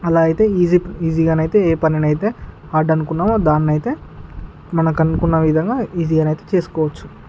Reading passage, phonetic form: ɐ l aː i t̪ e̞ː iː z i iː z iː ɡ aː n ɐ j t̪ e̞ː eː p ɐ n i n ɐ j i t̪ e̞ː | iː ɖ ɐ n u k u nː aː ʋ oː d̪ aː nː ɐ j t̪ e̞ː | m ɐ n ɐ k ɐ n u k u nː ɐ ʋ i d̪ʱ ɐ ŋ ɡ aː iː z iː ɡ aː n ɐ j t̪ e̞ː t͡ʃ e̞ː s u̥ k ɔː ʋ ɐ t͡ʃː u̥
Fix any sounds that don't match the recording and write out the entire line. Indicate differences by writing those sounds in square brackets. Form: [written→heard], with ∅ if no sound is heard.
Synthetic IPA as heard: ɐ l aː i t̪ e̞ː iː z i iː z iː ɡ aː n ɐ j t̪ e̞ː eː p ɐ n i n ɐ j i t̪ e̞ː | [iː→aː] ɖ ɐ n u k u nː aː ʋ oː d̪ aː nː ɐ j t̪ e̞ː | m ɐ n ɐ k ɐ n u k u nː ɐ ʋ i d̪ʱ ɐ ŋ ɡ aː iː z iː ɡ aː n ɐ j t̪ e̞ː t͡ʃ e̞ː s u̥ k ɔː ʋ ɐ t͡ʃː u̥